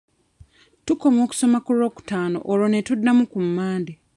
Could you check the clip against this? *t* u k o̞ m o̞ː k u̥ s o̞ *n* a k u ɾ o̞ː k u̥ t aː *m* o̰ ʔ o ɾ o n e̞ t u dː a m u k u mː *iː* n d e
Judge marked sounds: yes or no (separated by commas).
yes, no, no, no